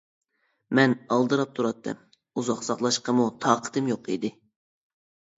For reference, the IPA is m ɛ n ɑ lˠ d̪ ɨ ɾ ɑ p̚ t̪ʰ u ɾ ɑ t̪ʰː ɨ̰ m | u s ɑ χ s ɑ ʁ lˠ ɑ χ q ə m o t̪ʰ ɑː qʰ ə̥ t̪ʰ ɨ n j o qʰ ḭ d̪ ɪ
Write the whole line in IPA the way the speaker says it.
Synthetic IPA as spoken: m ɛ n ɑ lˠ d̪ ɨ ɾ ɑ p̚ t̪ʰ u ɾ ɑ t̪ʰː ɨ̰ m | u z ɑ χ s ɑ χ lˠ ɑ ʃ q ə m u t̪ʰ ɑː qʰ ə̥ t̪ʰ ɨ m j o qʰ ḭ d̪ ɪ